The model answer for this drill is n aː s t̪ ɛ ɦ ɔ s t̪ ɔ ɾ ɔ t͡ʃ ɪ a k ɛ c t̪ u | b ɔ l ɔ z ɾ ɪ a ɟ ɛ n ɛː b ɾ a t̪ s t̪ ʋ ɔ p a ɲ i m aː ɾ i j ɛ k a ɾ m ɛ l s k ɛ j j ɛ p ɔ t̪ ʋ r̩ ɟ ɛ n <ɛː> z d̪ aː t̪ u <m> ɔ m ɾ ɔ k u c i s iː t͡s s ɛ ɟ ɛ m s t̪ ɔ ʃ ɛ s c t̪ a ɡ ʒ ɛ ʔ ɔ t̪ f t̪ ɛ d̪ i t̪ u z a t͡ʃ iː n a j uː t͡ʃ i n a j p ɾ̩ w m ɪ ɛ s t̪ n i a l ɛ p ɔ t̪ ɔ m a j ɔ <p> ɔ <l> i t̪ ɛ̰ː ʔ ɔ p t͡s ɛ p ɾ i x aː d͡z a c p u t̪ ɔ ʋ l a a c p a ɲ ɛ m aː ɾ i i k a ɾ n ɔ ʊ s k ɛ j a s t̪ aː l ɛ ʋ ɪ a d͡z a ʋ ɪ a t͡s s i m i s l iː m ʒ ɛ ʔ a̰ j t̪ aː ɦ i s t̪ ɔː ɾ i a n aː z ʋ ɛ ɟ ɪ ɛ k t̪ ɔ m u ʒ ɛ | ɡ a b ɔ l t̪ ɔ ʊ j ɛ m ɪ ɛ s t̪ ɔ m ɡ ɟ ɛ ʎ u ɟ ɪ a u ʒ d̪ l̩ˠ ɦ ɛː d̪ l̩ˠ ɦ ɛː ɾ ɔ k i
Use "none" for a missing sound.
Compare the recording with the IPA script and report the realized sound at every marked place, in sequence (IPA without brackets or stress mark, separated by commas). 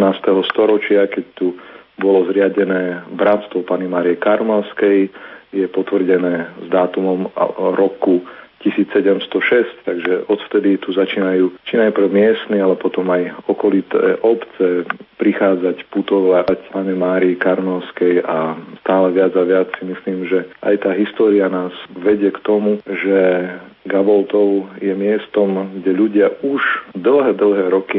ɛː, m, k, l